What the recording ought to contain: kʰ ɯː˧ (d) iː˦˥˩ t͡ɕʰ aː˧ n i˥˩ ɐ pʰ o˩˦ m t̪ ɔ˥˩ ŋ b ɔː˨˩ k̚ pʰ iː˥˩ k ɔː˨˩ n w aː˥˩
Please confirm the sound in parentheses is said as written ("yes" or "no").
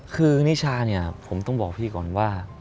no